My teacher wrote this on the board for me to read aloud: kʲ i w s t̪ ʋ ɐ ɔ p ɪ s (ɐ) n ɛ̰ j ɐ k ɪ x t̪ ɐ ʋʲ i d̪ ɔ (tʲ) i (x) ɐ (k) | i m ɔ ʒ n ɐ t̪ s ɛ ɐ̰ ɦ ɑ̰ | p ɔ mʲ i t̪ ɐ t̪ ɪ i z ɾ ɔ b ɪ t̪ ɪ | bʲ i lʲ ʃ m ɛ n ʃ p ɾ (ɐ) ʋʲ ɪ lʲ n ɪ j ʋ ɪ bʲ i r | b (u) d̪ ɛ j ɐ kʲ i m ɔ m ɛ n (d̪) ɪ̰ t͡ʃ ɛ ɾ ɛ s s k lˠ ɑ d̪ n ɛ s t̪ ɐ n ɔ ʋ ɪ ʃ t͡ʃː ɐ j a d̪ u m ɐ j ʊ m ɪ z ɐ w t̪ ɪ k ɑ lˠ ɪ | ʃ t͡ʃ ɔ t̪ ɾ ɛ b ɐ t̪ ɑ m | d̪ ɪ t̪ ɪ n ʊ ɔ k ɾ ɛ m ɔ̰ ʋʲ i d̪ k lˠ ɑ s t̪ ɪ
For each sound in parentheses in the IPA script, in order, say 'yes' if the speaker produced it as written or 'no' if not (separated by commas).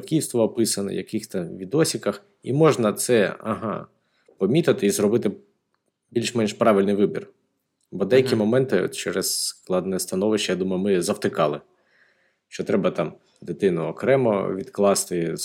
yes, no, no, no, no, no, no